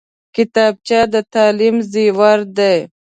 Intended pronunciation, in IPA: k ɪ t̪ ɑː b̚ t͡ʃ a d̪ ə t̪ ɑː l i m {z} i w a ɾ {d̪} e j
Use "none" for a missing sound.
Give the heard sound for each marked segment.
z, d̪

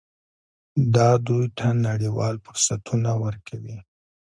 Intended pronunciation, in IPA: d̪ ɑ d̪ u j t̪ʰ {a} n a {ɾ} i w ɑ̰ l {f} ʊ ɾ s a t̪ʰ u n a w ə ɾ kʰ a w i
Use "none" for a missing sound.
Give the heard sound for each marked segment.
a, ɽ, f

